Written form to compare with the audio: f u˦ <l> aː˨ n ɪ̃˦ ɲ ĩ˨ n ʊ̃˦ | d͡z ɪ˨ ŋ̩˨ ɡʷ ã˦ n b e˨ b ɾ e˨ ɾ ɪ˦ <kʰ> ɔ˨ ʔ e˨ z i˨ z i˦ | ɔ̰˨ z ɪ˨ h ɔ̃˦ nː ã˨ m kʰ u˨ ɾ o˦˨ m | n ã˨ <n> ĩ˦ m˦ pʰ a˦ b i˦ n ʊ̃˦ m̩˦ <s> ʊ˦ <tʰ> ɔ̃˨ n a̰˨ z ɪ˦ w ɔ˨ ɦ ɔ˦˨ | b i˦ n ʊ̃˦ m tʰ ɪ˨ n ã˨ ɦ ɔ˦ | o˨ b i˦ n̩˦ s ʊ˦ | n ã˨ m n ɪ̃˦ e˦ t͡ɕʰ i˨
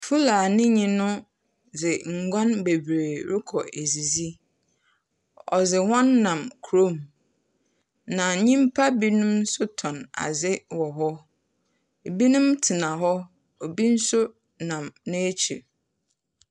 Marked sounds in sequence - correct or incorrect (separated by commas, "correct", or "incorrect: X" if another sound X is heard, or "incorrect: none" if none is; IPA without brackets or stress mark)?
correct, correct, incorrect: ɲ, correct, correct